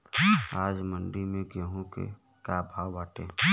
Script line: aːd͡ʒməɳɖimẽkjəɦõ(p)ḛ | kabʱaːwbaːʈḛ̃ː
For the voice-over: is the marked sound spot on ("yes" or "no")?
no